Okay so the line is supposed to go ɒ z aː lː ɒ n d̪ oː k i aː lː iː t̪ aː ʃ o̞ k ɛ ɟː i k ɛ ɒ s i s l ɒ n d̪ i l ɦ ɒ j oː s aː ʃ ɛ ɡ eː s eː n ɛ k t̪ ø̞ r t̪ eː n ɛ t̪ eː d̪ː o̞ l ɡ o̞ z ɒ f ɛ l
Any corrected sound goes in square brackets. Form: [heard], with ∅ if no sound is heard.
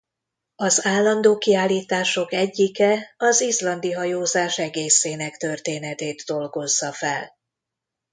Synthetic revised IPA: ɒ z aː lː ɒ n d̪ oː k i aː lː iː t̪ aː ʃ o̞ k ɛ ɟː i k ɛ ɒ [z] i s l ɒ n d̪ i [∅] ɦ ɒ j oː [z] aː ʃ ɛ ɡ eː s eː n ɛ k t̪ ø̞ r t̪ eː n ɛ t̪ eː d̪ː o̞ l ɡ o̞ [zː] ɒ f ɛ l

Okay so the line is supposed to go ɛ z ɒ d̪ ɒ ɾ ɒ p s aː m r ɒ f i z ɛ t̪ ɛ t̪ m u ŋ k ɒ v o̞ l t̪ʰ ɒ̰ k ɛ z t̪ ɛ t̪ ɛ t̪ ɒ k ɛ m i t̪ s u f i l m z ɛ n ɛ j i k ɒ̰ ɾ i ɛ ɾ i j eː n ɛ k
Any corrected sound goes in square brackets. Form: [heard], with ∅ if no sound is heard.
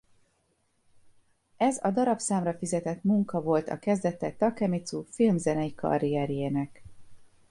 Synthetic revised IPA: ɛ z ɒ d̪ ɒ ɾ ɒ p s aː m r ɒ f i z ɛ t̪ ɛ t̪ m u ŋ k ɒ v o̞ l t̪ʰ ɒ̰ k ɛ z [d̪] ɛ t̪ ɛ t̪ ɒ k ɛ m i t̪ s u f i l m z ɛ n ɛ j i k ɒ̰ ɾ i ɛ ɾ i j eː n ɛ k

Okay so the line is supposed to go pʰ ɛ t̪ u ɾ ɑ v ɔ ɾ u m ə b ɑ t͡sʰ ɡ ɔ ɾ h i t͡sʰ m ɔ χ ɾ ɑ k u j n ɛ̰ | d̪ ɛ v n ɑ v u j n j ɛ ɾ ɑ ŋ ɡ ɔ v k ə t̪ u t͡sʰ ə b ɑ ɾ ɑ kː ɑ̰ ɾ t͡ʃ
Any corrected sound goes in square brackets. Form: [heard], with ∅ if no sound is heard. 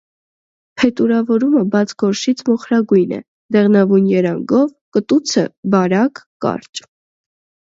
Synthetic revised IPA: pʰ ɛ t̪ u ɾ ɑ v ɔ ɾ u m ə b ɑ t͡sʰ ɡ ɔ ɾ [ʃ] i t͡sʰ m ɔ χ ɾ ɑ [ɡ] u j n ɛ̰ | d̪ ɛ [ʁ] n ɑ v u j n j ɛ ɾ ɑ ŋ ɡ ɔ v k ə t̪ u t͡sʰ ə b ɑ ɾ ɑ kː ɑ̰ ɾ t͡ʃ

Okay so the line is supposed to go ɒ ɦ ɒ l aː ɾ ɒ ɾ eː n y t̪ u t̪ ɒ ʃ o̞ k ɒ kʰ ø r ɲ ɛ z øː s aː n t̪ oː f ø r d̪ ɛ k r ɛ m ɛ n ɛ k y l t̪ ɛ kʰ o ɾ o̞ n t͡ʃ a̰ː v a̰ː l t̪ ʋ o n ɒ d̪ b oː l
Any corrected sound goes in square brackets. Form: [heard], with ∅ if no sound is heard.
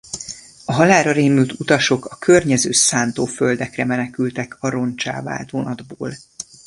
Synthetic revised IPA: ɒ ɦ ɒ l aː ɾ ɒ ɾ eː [m] y t̪ u t̪ ɒ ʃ o̞ k ɒ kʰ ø r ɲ ɛ z øː s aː n t̪ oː f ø [l] d̪ ɛ k r ɛ m ɛ n ɛ k y l t̪ ɛ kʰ [ɒ] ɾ o̞ n t͡ʃ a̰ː v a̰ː l t̪ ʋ o n ɒ d̪ b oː l

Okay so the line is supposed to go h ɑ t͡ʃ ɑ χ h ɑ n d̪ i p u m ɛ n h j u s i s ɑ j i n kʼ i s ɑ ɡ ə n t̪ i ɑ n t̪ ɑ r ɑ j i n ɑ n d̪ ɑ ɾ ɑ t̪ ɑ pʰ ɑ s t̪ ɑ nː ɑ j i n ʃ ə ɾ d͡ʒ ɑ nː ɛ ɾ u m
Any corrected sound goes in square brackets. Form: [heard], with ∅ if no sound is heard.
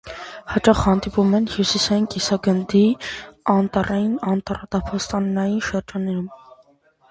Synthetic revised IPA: h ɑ t͡ʃ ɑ χ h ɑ n d̪ i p u m ɛ n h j u s i s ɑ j i n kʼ i s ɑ ɡ ə n [d̪] i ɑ n t̪ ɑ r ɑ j i n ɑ n [t̪] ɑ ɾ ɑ t̪ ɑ pʰ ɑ s t̪ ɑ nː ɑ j i n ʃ ə ɾ d͡ʒ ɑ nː ɛ ɾ u m

